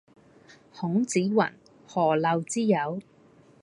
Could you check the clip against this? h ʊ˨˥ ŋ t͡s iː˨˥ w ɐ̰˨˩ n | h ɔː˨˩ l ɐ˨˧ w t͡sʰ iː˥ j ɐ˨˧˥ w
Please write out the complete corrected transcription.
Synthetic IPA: h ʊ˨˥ ŋ t͡s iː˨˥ w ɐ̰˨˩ n | h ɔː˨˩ l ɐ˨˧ w t͡s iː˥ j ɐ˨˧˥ w